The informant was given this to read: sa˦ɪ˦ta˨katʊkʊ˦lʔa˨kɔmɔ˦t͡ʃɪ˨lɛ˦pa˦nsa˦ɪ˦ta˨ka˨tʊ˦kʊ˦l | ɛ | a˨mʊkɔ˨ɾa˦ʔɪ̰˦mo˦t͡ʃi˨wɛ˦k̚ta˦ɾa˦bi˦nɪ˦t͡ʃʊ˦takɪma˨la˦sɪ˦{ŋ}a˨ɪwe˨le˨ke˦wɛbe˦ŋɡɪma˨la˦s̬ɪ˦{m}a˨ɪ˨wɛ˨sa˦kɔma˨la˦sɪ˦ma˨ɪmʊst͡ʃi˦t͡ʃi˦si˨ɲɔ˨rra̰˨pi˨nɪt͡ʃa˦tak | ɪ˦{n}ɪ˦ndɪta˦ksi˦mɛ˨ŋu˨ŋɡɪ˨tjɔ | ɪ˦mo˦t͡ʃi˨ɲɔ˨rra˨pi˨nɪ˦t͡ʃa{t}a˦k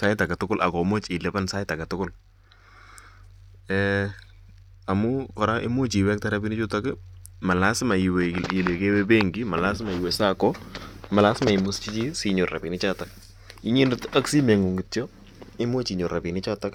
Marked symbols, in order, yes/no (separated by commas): no, yes, no, yes